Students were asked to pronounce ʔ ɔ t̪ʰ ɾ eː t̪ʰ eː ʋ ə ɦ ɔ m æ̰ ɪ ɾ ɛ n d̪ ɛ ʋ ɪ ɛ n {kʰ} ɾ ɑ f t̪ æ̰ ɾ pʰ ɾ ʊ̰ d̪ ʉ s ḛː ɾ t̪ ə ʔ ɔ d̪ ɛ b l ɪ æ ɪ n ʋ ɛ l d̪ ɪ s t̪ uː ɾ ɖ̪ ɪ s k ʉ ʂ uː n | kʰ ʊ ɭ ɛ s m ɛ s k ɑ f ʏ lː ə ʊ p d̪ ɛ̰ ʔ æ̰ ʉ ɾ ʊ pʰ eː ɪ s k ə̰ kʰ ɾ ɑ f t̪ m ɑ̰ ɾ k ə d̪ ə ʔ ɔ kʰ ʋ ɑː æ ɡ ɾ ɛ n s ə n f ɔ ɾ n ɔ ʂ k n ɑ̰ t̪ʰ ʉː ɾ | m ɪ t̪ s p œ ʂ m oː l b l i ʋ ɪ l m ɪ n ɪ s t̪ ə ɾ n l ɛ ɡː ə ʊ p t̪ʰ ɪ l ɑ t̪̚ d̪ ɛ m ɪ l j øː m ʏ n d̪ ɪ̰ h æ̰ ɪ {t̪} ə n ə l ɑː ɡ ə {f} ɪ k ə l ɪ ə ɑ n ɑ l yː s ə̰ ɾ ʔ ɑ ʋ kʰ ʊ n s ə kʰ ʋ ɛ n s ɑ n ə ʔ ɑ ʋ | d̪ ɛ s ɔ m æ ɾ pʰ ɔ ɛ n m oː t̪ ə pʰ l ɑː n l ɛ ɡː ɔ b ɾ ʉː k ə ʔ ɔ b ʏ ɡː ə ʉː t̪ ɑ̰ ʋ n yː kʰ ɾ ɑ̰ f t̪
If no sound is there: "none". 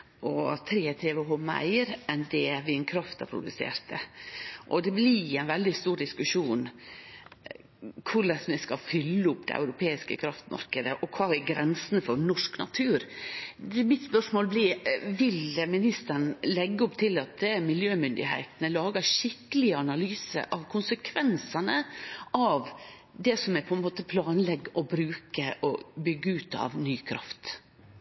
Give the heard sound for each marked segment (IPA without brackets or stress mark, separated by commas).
kʰ, t̪, ʂ